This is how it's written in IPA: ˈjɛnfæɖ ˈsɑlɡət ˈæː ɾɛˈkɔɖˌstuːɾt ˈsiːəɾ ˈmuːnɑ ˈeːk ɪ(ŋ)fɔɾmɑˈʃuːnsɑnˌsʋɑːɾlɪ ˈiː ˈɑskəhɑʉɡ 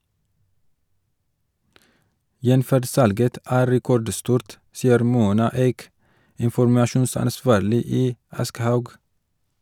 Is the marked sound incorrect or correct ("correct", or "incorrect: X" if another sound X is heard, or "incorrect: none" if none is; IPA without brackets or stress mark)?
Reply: incorrect: n